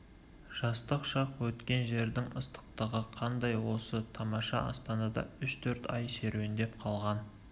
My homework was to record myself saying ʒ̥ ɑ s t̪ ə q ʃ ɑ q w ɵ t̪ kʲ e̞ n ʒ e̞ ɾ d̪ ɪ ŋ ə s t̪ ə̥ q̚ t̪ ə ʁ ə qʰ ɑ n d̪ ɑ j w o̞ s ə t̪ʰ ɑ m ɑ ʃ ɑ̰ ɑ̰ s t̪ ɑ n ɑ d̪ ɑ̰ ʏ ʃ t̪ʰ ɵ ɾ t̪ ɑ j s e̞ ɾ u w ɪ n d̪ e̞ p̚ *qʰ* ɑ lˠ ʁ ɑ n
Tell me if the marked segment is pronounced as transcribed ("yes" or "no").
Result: yes